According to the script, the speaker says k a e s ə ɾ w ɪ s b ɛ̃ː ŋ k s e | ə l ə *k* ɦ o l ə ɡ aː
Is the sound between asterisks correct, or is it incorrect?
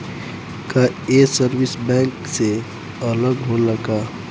incorrect